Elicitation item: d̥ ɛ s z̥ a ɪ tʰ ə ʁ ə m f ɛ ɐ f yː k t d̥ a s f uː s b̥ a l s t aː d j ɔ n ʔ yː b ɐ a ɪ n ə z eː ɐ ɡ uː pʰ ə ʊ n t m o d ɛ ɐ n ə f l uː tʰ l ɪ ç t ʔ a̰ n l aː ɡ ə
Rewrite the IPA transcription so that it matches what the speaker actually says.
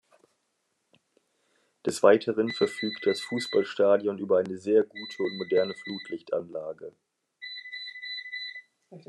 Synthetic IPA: d̥ ɛ s v̥ a ɪ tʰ ə ʁ ə n f ɛ ɐ f yː k t d̥ a s f uː s b̥ a l ʃ t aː d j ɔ n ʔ yː b ɐ a ɪ n ə z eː ɐ ɡ uː tʰ ə ʊ n t m o d ɛ ɐ n ə f l uː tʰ l ɪ ç t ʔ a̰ n l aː ɡ ə